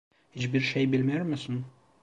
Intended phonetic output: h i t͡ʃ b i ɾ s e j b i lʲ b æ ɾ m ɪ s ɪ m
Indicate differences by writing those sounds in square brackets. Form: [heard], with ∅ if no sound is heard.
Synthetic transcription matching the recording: h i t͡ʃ b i ɾ [ʃ] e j b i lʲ [m] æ ɾ m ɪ s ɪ [n]